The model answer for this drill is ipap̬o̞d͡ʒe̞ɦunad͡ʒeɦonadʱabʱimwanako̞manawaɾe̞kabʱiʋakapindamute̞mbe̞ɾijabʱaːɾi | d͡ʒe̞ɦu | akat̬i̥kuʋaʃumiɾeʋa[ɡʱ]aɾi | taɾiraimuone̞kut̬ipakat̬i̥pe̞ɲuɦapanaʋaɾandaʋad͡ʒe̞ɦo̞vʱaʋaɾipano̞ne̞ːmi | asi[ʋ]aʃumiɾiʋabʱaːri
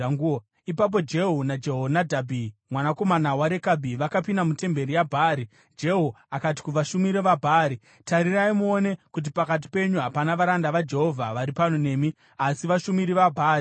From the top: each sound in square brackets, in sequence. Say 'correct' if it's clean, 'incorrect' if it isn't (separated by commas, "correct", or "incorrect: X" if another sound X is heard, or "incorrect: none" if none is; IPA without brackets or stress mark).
incorrect: bʱ, correct